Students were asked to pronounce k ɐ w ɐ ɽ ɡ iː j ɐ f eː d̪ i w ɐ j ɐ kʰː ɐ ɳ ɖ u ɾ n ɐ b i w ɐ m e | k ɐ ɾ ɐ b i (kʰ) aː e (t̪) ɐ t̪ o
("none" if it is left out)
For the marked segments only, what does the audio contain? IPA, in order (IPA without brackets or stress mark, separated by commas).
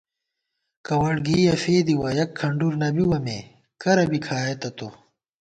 kʰ, t̪